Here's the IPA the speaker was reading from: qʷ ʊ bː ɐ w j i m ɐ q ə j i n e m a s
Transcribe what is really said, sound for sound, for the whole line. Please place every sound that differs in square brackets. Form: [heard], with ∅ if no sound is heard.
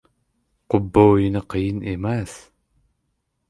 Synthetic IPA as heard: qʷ ʊ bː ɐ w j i [n] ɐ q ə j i n e m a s